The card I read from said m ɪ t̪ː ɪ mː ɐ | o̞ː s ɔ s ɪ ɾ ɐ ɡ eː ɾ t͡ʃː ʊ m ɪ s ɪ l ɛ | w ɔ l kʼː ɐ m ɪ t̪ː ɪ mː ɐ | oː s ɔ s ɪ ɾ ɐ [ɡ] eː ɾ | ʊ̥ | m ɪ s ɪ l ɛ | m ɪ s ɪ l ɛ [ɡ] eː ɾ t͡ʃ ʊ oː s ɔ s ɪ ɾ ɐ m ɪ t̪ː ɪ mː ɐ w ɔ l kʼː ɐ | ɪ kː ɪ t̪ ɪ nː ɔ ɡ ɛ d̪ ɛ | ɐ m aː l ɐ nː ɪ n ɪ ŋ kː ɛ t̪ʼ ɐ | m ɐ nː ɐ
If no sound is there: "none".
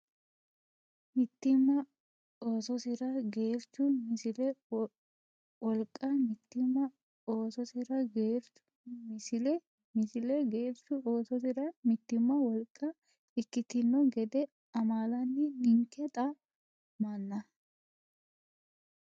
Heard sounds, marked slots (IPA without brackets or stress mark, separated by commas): ɡ, ɡ